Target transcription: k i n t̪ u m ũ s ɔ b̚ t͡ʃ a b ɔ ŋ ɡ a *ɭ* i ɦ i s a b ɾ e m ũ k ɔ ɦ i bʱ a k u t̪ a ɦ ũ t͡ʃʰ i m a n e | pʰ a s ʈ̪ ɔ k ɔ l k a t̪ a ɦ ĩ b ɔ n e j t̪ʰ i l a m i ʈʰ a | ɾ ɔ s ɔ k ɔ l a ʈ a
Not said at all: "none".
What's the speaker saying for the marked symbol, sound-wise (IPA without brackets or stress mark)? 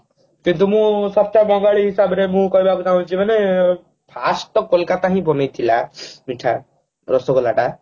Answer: ɭ